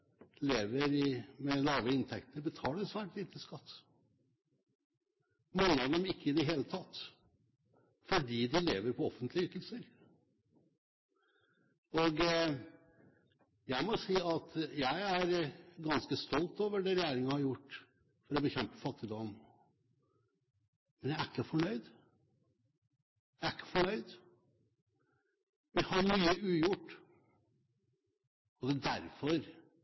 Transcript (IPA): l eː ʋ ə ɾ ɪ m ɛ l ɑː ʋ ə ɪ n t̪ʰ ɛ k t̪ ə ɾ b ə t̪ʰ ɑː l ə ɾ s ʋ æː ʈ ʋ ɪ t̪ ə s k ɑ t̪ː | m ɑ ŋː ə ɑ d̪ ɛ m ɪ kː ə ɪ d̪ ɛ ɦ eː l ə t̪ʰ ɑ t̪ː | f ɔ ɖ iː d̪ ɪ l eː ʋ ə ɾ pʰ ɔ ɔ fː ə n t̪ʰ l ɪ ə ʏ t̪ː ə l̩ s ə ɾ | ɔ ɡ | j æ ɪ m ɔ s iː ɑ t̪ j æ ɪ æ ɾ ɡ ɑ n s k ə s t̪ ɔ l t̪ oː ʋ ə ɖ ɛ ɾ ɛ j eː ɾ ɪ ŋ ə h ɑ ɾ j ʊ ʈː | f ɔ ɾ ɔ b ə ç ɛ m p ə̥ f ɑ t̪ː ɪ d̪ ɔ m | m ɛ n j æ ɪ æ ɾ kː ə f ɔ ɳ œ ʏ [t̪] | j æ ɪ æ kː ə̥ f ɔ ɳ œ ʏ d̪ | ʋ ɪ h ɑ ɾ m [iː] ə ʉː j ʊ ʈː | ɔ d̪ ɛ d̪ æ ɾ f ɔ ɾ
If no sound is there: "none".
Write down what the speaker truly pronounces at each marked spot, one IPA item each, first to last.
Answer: d̪, yː

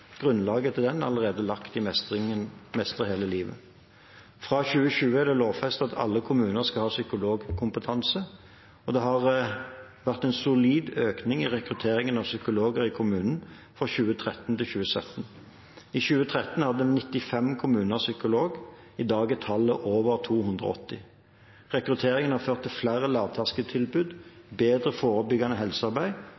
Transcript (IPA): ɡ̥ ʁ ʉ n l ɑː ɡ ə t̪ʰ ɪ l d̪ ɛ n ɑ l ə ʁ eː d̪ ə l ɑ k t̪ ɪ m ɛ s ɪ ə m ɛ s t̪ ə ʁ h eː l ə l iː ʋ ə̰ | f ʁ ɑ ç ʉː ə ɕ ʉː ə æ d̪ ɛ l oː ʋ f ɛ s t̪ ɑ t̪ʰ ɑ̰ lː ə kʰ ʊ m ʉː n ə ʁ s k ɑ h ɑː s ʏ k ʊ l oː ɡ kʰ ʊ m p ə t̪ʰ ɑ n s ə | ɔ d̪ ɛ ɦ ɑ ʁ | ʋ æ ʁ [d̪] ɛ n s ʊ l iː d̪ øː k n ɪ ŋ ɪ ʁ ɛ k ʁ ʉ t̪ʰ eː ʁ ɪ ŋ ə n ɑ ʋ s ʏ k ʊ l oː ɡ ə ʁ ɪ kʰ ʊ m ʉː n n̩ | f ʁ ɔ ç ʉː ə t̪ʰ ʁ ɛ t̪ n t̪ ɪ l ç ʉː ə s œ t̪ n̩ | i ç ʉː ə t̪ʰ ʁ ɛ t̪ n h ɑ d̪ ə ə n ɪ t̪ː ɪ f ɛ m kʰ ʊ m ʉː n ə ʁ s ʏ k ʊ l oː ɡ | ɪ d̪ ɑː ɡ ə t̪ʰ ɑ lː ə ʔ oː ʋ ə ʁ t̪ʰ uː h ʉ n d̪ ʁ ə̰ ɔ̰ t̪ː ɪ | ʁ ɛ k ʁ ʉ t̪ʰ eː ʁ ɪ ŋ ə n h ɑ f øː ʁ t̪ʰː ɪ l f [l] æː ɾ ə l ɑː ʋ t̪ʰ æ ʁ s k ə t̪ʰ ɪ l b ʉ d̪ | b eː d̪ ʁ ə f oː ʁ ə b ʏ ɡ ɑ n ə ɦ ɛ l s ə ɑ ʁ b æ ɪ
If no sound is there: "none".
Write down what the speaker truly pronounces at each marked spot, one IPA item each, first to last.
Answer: t̪, l

